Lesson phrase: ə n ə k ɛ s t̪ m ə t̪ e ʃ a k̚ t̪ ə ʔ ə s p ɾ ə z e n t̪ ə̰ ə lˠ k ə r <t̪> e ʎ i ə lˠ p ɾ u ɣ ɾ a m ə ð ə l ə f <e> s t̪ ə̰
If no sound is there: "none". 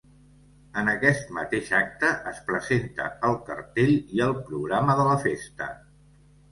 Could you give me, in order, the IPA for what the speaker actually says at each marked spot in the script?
t̪, e

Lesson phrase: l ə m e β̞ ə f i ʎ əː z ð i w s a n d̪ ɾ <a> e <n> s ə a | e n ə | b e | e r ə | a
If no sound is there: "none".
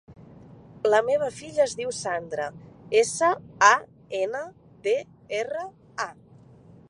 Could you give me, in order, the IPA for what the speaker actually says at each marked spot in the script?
ə, none

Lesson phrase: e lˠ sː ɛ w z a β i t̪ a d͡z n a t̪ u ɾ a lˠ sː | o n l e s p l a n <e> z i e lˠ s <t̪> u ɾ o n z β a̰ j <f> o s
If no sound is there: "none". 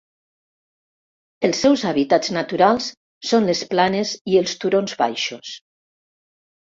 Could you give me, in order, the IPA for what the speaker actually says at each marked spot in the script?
e, t̪, ʃ

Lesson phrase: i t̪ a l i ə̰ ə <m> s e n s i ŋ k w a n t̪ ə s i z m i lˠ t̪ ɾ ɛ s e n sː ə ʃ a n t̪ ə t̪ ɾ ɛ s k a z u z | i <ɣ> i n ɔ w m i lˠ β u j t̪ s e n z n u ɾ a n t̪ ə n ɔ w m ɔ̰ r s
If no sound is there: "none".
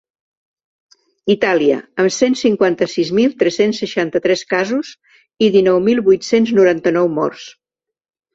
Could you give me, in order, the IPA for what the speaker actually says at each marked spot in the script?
m, ð

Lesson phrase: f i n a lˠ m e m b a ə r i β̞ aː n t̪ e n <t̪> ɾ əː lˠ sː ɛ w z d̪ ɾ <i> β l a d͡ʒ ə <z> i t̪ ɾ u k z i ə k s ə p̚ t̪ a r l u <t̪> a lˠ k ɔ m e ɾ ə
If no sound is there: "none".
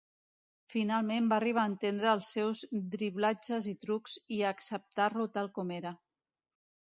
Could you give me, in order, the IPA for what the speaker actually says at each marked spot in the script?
d̪, i, z, t̪

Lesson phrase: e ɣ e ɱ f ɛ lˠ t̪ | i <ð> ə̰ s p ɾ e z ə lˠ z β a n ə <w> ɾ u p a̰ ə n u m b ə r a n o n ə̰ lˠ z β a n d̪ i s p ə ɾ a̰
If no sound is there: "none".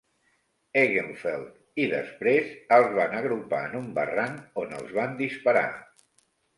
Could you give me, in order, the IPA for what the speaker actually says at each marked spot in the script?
ð, ɣ

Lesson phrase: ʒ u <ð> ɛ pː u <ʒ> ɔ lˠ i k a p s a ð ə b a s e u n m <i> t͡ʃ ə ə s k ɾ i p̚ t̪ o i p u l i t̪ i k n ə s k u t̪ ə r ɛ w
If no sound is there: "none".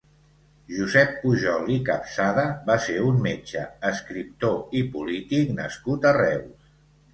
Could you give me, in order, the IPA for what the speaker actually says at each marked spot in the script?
z, ʒ, e

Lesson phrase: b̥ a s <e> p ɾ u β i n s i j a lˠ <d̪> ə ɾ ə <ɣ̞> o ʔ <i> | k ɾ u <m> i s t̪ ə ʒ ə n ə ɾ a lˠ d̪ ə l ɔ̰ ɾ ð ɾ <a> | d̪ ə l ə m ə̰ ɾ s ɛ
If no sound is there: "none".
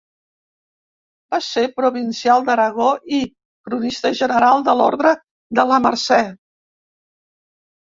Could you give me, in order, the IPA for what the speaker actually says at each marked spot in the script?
e, d̪, ɣ̞, i, n, ə

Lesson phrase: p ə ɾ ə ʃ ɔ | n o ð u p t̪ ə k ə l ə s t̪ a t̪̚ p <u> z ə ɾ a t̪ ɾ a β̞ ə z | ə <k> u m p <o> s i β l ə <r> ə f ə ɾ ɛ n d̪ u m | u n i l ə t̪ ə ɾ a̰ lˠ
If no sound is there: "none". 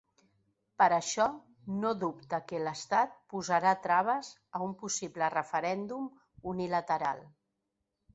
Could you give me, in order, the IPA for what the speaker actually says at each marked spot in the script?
u, none, u, r

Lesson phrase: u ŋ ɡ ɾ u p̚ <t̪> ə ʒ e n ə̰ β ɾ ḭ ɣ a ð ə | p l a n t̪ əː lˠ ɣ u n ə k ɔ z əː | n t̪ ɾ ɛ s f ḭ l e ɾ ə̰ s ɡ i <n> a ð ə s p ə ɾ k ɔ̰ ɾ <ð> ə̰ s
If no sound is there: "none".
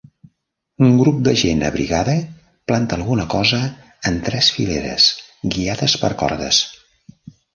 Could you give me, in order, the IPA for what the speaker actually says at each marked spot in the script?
d̪, none, ð

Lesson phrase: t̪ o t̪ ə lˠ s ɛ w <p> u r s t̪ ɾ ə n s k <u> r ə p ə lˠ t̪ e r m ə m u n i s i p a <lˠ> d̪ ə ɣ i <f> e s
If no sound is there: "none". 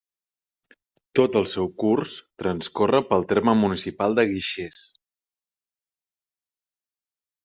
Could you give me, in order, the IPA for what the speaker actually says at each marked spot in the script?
k, o, lˠ, ʃ

